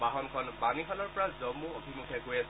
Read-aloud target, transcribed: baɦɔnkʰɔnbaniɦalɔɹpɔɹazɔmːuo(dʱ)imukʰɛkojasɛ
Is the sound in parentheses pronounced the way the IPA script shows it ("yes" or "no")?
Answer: no